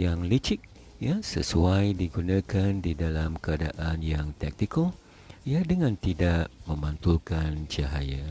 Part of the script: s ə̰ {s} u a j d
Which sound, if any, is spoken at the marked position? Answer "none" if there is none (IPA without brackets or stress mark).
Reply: s